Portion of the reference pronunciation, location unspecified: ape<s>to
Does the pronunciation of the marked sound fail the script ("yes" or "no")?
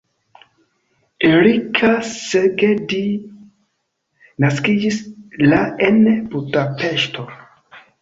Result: yes